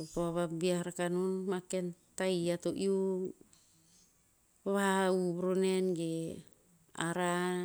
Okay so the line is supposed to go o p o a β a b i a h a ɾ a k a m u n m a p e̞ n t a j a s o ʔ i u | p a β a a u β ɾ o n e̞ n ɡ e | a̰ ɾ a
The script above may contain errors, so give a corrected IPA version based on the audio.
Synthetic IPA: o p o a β a b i a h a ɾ a k a n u n m a k e̞ n t a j a t o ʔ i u | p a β a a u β ɾ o n e̞ n ɡ e | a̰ ɾ a